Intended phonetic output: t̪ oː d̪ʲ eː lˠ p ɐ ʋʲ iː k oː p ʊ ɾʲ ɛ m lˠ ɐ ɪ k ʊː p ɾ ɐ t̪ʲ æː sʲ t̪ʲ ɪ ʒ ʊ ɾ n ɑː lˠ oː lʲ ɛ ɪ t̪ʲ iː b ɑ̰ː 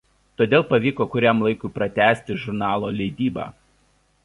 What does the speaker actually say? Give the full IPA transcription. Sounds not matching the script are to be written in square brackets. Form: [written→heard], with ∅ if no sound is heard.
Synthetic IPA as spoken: t̪ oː d̪ʲ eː lˠ p ɐ ʋʲ iː k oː [p→k] ʊ ɾʲ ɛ m lˠ ɐ ɪ k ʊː p ɾ ɐ t̪ʲ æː sʲ t̪ʲ ɪ ʒ ʊ ɾ n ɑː lˠ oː lʲ ɛ ɪ [t̪ʲ→d̪ʲ] iː b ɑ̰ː